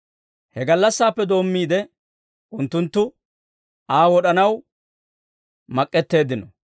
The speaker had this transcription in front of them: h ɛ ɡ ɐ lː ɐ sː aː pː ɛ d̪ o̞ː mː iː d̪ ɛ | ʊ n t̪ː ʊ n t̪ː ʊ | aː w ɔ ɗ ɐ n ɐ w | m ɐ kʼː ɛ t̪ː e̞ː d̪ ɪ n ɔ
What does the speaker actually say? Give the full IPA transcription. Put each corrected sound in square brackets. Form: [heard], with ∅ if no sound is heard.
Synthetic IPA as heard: h ɛ ɡ ɐ lː ɐ sː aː pː ɛ d̪ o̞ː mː iː d̪ ɛ | ʊ n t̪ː ʊ n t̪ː ʊ | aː w ɔ ɗ ɐ n ɐ w | m ɐ kʼː ɛ t̪ː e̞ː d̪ ɪ n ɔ